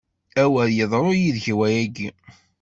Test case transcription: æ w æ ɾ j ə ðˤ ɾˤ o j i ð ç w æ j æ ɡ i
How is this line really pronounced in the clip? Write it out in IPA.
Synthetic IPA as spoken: æ w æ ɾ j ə ðˤ ɾˤ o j i ð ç w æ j æ ɡ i